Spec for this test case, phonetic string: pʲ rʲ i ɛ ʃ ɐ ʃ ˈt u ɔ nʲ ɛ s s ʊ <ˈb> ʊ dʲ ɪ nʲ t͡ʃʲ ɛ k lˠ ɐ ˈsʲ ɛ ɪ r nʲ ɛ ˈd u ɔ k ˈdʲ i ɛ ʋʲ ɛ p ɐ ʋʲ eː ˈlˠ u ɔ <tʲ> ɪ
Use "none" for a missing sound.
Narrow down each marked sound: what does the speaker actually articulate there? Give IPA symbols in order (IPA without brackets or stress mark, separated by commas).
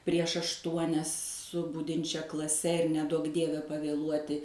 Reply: b, tʲ